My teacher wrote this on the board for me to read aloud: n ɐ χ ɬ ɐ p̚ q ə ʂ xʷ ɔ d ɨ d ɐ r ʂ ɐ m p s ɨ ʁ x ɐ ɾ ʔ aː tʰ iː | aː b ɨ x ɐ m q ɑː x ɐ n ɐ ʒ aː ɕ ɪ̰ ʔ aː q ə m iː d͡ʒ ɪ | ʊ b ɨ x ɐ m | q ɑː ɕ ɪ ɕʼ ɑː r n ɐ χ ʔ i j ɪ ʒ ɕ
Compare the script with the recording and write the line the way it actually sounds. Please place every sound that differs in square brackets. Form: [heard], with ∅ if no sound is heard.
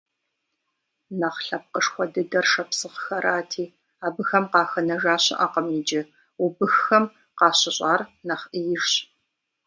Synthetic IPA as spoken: n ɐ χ ɬ ɐ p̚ q ə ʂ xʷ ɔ d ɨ d ɐ r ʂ ɐ [∅] p s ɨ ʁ x ɐ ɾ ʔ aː tʰ iː | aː b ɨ x ɐ m q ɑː x ɐ n ɐ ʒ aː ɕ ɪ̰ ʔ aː q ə m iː d͡ʒ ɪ | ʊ b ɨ x ɐ m | q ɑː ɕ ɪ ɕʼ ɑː r n ɐ χ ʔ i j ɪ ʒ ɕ